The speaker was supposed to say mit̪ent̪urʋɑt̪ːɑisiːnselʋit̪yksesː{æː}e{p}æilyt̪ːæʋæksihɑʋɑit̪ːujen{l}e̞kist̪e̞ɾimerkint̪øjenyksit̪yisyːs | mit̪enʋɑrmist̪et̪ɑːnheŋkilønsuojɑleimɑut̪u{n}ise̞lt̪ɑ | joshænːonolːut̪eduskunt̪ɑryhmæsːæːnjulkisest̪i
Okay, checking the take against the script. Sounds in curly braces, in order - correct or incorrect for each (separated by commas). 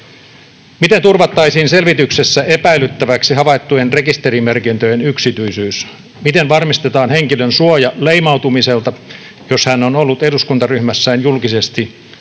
incorrect, correct, incorrect, incorrect